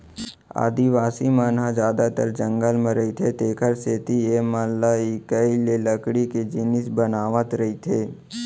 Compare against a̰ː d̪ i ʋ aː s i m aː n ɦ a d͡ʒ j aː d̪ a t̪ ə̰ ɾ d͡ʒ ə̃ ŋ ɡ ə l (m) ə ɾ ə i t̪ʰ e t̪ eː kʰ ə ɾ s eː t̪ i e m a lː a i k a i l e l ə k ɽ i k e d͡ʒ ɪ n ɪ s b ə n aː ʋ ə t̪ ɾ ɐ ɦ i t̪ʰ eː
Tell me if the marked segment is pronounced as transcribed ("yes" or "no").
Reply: yes